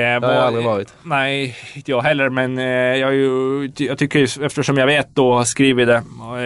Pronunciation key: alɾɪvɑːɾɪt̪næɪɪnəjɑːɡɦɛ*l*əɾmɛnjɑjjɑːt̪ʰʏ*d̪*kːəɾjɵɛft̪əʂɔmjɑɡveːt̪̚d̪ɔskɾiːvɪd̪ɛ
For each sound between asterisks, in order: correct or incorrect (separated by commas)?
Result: incorrect, incorrect